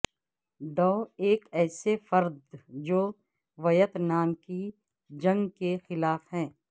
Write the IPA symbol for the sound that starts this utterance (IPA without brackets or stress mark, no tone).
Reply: d̪